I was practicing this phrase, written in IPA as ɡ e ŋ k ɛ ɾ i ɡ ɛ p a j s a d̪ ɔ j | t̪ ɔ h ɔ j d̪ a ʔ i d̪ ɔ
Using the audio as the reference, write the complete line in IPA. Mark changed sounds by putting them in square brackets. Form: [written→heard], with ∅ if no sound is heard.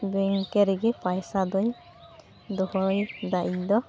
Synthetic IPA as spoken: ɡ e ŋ k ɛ ɾ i ɡ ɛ p a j s a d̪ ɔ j | [t̪→d̪] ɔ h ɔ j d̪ a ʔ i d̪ ɔ